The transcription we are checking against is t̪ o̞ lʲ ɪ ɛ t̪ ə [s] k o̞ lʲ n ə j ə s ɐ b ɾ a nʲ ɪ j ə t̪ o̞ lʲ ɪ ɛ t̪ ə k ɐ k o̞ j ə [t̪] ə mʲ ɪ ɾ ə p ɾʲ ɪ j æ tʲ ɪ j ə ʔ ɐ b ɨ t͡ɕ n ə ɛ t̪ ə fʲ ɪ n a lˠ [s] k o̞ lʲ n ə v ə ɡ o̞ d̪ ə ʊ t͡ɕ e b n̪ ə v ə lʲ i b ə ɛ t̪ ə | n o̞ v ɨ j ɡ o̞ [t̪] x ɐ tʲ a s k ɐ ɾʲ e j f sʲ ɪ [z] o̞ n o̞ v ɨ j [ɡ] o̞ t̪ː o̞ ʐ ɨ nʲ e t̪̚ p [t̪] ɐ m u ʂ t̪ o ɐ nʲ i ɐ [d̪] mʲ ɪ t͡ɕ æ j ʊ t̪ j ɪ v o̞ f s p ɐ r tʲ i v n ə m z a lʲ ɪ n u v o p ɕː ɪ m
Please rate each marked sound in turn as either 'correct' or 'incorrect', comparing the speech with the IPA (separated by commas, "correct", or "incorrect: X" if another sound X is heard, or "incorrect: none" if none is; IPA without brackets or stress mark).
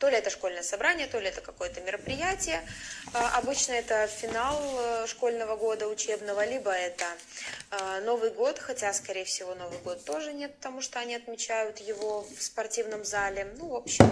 incorrect: ʂ, correct, incorrect: ʂ, correct, incorrect: v, correct, correct, incorrect: t̪